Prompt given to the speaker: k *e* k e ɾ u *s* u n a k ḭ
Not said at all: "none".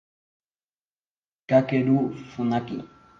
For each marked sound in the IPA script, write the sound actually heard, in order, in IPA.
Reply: a, f

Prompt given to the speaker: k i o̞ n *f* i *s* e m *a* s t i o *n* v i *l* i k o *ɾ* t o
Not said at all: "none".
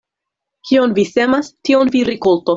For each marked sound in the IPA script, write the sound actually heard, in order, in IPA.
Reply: v, s, a, n, ɾ, l

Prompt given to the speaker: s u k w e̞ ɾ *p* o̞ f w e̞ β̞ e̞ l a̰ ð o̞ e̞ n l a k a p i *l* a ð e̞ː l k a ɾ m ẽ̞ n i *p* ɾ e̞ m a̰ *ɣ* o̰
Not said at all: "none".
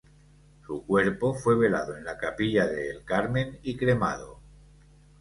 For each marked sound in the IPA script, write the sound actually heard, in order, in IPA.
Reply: p, ʎ, k, ð

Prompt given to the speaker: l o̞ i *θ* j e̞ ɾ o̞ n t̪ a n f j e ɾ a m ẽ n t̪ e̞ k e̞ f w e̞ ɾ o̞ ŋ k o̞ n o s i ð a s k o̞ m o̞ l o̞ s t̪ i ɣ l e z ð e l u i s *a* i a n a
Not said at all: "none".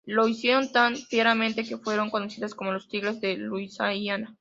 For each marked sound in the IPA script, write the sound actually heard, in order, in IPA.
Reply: s, a

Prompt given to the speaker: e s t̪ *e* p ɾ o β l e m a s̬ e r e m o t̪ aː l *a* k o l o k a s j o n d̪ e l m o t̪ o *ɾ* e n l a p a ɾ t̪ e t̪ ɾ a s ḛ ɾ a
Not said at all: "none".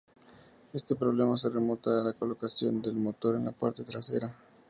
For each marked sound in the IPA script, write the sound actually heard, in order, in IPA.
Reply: e, a, ɾ

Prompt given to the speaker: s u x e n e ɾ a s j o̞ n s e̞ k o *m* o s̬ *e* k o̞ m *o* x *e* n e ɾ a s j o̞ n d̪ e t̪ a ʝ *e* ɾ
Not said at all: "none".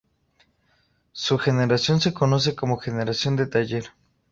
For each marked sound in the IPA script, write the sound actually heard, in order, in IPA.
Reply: n, e, o, e, e

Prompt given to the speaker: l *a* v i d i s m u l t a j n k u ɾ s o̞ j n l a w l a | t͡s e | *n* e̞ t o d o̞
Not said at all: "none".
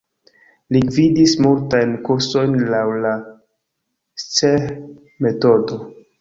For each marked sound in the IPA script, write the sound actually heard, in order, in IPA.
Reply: i, m

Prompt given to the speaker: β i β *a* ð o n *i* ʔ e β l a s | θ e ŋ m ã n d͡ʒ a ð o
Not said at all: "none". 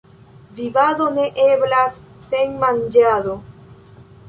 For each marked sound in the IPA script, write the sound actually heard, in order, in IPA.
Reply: a, e

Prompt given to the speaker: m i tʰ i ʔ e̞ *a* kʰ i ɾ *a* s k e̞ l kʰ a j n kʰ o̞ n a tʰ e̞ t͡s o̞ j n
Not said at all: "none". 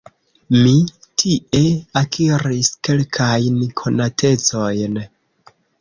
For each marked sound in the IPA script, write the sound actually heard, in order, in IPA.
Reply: a, i

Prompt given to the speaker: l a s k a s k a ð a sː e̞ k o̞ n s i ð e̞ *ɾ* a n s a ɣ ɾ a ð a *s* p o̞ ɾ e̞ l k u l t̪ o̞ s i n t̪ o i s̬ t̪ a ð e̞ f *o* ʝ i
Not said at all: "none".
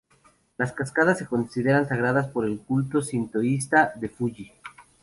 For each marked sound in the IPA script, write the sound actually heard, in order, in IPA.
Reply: ɾ, s, u

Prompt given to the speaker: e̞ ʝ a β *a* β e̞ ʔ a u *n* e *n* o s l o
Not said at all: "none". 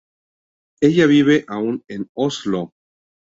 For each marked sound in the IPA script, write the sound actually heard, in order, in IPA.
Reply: i, n, n

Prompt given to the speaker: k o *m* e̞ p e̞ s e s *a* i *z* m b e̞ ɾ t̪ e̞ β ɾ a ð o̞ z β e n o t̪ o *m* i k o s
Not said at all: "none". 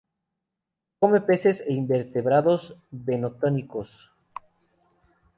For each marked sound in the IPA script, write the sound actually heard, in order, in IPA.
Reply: m, e, none, n

